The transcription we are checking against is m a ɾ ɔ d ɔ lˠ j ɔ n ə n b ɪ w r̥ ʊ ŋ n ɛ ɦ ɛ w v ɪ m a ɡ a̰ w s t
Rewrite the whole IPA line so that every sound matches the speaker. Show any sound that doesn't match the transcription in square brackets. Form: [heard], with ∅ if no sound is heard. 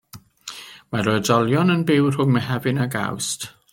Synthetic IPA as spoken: m a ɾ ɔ d ɔ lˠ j ɔ n ə n b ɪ w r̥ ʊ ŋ [m] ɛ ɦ ɛ [∅] v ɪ [n] a ɡ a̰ w s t